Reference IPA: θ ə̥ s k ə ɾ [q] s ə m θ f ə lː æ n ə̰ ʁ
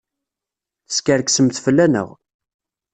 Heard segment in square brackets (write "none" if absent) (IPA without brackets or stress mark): k